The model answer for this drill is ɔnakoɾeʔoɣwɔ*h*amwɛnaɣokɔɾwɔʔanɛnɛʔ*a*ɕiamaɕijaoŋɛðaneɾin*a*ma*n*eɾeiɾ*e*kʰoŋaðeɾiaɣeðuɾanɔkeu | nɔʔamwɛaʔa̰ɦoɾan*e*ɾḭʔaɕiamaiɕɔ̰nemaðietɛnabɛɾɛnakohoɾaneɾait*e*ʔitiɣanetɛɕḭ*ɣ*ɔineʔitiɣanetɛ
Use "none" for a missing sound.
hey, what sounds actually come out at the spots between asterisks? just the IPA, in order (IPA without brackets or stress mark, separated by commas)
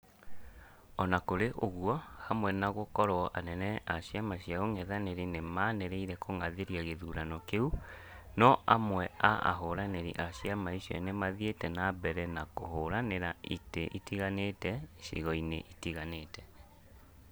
h, a, e, n, ɛ, e, e, ɣ